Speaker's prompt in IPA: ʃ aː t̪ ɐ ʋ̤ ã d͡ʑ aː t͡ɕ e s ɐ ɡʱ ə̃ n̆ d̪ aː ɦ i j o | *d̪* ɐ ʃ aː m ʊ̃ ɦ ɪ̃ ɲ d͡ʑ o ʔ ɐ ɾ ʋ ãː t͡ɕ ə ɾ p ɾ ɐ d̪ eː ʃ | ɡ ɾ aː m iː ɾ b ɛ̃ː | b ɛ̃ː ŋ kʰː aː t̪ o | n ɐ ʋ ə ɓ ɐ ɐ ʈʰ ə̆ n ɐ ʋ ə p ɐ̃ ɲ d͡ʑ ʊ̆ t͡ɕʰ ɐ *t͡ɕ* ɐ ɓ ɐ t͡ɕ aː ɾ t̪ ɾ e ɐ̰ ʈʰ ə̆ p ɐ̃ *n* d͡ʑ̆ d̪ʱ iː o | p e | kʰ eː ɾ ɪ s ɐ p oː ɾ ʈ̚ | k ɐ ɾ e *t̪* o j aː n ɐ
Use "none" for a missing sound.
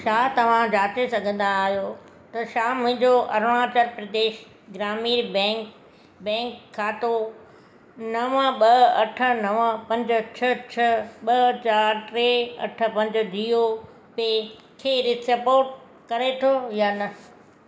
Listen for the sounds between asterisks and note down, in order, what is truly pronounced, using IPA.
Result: t̪, t͡ɕʰ, ɲ, t̪ʰ

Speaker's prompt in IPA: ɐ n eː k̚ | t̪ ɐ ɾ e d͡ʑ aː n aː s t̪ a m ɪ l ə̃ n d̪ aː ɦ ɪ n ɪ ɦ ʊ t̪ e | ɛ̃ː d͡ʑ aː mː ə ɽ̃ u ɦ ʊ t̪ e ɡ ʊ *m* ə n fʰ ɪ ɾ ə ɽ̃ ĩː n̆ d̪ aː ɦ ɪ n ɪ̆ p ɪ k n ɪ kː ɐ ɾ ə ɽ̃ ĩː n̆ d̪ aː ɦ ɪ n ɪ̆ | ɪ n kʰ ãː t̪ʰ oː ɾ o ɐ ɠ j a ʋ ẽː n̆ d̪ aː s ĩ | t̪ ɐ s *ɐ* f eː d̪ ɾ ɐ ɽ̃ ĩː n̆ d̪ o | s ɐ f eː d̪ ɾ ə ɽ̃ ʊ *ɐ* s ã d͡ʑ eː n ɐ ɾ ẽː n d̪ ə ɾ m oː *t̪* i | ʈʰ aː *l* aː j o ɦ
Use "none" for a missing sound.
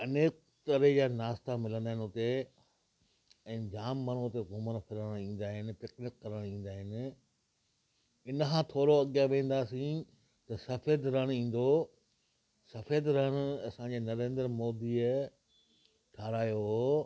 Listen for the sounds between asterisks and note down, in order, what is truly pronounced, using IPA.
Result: m, ɐ, ɐ, d̪, ɾ

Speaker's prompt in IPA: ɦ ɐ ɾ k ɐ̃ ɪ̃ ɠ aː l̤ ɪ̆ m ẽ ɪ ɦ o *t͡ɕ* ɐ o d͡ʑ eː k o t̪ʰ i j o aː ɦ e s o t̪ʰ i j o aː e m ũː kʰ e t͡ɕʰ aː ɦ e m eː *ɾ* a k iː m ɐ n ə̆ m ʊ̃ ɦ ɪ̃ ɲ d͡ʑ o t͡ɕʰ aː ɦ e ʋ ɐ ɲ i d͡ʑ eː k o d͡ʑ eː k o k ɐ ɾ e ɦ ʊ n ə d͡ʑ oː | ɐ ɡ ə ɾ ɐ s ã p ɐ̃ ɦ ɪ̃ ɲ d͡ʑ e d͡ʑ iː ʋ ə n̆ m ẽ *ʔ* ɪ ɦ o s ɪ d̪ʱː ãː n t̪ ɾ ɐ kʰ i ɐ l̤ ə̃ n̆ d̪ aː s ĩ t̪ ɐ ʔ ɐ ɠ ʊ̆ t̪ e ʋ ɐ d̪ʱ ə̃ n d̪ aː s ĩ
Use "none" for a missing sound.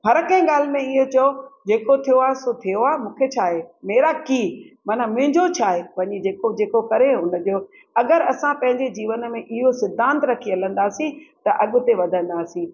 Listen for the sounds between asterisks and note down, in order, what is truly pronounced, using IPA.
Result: t͡ɕ, ɾ, ʔ

